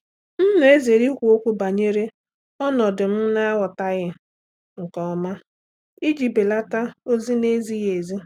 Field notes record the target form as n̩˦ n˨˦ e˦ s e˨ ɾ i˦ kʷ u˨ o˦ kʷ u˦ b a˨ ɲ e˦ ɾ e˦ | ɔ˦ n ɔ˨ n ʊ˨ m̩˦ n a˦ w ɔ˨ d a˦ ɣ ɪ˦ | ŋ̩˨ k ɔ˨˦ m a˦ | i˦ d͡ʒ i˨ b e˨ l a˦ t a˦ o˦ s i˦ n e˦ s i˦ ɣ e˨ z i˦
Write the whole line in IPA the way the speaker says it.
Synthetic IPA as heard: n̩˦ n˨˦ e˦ z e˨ ɾ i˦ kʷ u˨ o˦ kʷ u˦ b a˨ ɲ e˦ ɾ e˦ | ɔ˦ n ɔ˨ d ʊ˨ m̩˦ n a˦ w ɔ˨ t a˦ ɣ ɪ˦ | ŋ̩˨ k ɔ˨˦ m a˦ | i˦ d͡ʒ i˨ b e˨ l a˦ t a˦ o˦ z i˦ n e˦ z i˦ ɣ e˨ z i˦